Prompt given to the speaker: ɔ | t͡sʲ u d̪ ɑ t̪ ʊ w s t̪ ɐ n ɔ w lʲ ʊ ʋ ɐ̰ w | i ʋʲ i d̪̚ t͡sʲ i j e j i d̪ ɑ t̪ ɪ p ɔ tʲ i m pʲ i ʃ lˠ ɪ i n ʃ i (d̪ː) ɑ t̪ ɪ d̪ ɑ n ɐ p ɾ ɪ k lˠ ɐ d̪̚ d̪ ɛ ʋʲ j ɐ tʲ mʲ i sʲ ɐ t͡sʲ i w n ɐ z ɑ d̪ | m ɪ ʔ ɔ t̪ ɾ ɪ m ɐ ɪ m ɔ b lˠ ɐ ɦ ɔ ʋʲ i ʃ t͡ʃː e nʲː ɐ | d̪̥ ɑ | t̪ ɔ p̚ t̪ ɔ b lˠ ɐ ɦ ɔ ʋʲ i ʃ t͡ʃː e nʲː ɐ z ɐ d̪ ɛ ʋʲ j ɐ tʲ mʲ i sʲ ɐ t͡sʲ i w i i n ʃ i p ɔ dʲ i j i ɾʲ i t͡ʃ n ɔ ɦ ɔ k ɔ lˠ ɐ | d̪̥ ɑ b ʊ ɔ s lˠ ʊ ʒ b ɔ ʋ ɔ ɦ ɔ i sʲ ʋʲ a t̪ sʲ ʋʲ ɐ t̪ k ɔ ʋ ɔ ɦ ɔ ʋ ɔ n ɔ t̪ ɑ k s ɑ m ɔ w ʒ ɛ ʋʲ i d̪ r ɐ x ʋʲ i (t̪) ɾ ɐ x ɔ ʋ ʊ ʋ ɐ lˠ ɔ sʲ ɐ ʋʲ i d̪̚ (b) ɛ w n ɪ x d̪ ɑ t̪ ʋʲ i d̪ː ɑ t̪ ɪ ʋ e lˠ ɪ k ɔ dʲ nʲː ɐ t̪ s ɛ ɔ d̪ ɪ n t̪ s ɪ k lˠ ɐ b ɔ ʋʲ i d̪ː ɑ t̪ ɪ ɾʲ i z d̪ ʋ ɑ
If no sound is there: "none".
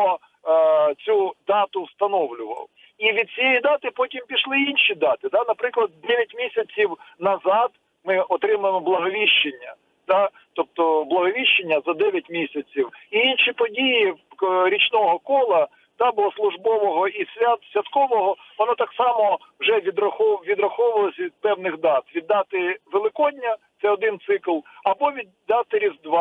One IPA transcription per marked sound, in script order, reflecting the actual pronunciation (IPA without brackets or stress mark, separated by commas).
d̪, d̪, p